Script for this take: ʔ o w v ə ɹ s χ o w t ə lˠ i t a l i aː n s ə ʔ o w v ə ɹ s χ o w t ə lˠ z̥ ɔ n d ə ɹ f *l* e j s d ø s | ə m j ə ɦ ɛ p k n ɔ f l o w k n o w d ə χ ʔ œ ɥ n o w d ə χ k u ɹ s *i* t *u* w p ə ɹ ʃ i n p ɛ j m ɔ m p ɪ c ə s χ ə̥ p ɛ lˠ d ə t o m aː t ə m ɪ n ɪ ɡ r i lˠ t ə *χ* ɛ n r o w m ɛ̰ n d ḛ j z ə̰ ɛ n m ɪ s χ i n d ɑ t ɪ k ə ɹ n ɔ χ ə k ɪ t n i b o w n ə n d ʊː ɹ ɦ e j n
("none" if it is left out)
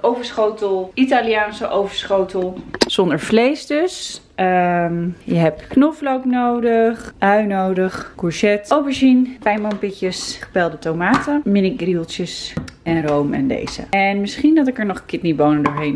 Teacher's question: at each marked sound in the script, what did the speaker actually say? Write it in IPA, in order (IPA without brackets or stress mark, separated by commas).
l, ɛ, o, s